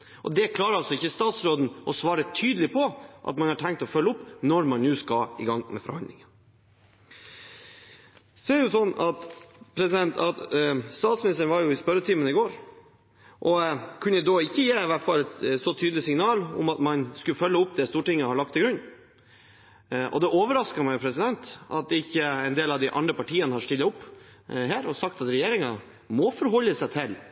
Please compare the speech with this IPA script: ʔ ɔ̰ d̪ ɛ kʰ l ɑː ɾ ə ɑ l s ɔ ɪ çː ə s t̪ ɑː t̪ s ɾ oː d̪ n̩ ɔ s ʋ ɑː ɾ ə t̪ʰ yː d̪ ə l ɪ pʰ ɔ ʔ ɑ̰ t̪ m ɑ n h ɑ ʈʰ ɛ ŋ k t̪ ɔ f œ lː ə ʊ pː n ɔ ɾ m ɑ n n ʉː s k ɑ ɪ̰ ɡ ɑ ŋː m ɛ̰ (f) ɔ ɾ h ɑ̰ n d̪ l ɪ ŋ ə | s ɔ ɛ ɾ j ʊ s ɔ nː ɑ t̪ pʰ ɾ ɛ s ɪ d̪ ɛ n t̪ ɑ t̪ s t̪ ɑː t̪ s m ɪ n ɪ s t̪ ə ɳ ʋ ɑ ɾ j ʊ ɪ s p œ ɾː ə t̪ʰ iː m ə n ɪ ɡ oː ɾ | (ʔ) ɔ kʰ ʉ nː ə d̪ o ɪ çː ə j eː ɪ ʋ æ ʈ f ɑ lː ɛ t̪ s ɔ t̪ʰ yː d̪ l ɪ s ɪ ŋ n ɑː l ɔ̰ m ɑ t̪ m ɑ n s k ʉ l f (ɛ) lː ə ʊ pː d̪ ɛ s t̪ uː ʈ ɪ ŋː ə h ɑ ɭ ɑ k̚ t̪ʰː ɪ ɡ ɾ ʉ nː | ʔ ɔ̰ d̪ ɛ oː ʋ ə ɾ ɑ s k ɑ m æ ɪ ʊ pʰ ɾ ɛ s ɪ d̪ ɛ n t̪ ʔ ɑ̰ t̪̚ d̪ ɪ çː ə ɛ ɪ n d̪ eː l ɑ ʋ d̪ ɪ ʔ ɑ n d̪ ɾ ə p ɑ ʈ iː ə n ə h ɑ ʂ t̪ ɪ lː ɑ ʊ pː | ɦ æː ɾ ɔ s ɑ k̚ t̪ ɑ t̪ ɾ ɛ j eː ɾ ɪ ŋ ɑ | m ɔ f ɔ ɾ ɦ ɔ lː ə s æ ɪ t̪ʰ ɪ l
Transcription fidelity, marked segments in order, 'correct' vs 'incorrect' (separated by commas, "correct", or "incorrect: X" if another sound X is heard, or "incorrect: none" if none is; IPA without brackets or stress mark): correct, correct, incorrect: œ